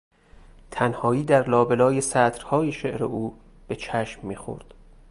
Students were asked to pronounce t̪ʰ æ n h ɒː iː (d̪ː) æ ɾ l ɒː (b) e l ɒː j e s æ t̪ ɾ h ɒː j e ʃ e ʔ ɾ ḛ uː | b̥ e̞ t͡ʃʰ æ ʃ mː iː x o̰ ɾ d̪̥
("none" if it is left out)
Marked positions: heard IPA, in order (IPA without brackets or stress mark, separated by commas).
d̪, b